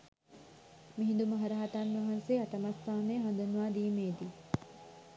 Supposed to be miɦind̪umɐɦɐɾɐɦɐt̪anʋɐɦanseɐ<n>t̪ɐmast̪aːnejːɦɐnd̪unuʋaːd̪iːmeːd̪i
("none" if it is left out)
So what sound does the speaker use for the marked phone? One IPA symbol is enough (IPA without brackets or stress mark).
none